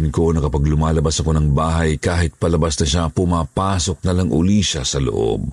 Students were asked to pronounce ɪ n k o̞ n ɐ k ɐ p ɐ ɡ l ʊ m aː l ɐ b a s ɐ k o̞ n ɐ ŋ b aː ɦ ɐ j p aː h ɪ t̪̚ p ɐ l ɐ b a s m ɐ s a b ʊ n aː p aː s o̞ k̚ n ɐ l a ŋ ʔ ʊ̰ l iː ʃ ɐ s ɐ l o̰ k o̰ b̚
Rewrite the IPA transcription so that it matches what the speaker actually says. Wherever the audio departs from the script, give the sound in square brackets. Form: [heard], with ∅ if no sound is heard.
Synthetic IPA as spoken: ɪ n k o̞ n ɐ k ɐ p ɐ ɡ l ʊ m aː l ɐ b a s ɐ k o̞ n ɐ ŋ b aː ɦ ɐ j [k] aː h ɪ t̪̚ p ɐ l ɐ b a s [n] ɐ [ʃ] a [p] ʊ [m] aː p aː s o̞ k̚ n ɐ l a ŋ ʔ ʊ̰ l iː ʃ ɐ s ɐ l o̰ [ʔ] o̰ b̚